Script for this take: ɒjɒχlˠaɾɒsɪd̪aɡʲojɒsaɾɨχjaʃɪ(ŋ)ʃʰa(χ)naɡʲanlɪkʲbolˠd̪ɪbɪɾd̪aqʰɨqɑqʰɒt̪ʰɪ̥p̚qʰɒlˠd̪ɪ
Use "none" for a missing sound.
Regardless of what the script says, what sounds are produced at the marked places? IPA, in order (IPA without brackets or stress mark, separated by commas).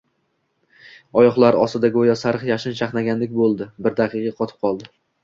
n, χ